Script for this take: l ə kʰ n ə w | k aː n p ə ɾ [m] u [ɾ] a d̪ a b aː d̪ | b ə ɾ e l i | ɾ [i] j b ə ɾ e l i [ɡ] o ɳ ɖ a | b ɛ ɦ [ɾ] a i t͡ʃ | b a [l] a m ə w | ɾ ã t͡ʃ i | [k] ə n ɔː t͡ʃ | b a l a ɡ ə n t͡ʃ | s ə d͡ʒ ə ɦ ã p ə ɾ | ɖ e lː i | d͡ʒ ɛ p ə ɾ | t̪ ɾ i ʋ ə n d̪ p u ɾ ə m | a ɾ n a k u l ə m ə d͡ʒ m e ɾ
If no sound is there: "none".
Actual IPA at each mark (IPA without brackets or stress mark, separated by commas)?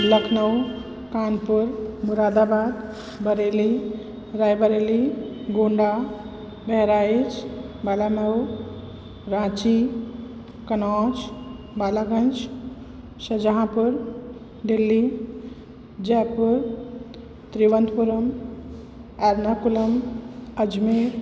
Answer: m, ɾ, a, ɡ, ɾ, l, k